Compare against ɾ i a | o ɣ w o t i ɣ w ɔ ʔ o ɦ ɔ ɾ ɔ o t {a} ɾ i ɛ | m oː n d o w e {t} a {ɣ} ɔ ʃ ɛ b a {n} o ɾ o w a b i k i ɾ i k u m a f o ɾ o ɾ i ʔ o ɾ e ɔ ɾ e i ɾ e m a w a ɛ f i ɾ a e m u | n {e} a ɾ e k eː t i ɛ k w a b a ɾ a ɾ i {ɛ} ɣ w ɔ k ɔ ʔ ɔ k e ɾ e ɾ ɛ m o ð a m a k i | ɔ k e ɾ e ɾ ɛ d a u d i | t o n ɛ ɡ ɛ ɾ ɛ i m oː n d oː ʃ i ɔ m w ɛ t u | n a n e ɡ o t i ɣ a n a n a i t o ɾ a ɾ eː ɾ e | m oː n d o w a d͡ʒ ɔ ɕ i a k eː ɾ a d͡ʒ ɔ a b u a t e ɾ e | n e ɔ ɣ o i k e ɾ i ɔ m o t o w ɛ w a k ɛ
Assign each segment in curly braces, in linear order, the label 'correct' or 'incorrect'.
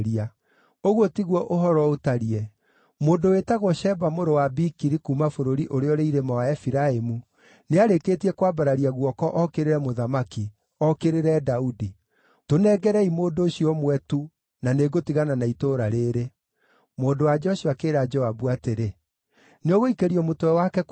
correct, correct, correct, incorrect: m, correct, incorrect: a

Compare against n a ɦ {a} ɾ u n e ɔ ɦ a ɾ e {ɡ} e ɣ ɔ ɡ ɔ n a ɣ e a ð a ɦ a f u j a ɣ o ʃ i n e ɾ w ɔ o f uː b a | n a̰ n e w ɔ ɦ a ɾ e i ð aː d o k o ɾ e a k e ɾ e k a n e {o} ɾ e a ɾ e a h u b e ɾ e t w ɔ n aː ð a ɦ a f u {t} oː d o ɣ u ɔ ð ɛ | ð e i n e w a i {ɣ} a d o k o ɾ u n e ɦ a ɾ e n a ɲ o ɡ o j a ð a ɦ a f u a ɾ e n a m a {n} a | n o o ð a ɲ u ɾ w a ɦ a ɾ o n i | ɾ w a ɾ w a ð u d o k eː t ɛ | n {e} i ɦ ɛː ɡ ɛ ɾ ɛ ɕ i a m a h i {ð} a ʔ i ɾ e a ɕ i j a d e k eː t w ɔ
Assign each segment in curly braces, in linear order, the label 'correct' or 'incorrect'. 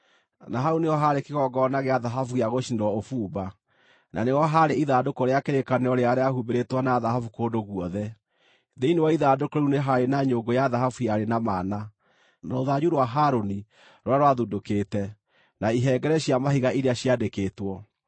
correct, incorrect: k, incorrect: ɔ, incorrect: k, incorrect: ð, correct, incorrect: a, incorrect: ɣ

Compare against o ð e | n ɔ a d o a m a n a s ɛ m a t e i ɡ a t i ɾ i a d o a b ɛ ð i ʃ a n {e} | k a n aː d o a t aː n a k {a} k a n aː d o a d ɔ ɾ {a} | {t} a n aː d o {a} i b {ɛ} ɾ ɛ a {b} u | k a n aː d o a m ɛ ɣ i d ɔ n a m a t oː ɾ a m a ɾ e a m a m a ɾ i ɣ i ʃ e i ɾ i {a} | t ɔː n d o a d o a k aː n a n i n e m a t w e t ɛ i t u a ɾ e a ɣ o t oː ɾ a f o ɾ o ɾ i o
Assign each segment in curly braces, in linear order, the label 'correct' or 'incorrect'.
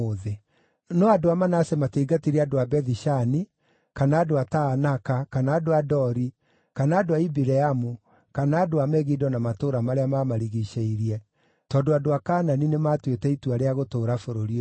incorrect: i, correct, incorrect: i, incorrect: k, correct, incorrect: i, incorrect: m, incorrect: ɛ

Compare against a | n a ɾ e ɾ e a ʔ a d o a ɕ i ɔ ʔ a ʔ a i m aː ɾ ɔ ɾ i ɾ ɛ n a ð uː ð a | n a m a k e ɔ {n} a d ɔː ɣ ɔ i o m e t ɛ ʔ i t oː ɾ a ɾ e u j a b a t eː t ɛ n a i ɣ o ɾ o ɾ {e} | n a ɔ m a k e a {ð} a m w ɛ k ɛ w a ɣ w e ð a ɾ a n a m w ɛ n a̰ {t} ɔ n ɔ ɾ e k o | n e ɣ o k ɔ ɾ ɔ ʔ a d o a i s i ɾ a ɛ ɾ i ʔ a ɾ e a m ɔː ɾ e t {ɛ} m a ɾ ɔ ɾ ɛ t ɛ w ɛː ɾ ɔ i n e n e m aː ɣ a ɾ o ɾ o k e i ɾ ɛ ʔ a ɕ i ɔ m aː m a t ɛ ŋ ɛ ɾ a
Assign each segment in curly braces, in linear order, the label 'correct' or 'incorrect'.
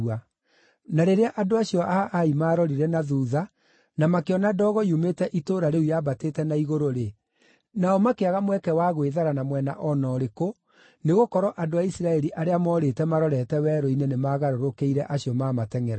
correct, correct, incorrect: ɣ, incorrect: ʔ, correct

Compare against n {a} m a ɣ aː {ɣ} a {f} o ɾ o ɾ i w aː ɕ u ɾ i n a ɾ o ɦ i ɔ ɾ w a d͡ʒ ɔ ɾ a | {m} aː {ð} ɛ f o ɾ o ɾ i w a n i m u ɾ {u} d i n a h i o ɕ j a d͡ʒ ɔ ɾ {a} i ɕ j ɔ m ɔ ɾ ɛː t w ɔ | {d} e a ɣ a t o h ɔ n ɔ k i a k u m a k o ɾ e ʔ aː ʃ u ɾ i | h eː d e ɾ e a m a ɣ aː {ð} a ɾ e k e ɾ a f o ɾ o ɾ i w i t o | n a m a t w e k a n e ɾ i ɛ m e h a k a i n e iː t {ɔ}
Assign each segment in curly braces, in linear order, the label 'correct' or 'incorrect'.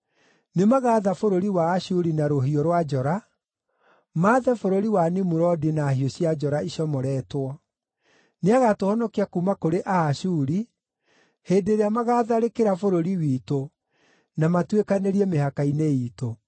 incorrect: e, incorrect: ð, correct, correct, correct, incorrect: ɔ, correct, incorrect: n, correct, incorrect: o

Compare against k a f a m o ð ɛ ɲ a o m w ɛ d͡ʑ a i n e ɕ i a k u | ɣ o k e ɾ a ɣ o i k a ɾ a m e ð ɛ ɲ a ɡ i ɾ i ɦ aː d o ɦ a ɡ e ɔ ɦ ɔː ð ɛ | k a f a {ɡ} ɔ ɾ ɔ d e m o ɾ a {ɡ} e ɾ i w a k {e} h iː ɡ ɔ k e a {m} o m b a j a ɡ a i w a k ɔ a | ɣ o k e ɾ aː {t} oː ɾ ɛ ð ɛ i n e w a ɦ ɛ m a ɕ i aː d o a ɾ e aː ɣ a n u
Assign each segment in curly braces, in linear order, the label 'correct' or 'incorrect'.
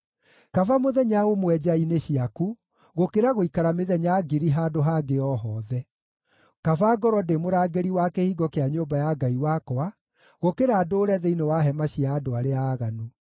correct, correct, correct, incorrect: ɲ, incorrect: d

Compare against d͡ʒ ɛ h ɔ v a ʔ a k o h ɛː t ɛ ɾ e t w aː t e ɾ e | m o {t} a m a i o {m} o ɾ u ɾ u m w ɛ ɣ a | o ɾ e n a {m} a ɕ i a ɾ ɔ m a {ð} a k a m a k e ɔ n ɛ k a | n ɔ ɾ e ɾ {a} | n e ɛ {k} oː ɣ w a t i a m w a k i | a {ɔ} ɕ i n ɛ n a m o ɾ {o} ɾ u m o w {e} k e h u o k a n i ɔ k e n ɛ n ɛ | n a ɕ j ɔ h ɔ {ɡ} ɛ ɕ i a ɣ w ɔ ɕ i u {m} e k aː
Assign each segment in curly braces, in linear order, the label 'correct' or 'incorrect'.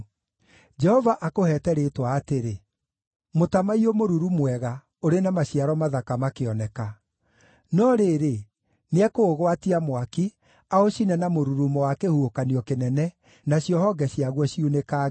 correct, correct, correct, correct, incorrect: e, correct, incorrect: o, incorrect: u, incorrect: a, correct, incorrect: n

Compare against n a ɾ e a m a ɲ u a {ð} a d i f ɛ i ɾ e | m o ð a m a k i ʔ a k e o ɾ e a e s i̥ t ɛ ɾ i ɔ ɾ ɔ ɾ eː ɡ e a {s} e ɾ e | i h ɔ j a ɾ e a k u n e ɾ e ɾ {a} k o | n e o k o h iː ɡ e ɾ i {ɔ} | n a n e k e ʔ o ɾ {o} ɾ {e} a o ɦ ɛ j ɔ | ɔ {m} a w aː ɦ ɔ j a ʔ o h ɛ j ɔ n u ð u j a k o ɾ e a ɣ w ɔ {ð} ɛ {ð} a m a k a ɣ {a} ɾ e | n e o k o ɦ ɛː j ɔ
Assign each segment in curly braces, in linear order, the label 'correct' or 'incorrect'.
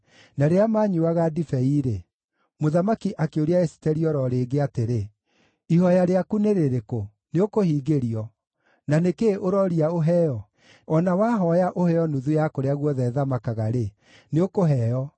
incorrect: ɣ, incorrect: t, incorrect: e, correct, incorrect: ɔ, incorrect: i, incorrect: n, correct, correct, correct

